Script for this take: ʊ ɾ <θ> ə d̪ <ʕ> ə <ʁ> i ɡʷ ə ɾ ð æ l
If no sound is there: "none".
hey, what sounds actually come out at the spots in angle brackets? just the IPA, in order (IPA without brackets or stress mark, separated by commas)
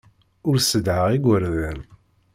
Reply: s, ʕ, ʁ